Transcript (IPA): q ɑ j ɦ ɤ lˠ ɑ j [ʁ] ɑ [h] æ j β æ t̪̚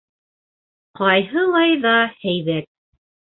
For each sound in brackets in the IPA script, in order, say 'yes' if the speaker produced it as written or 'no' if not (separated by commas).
no, yes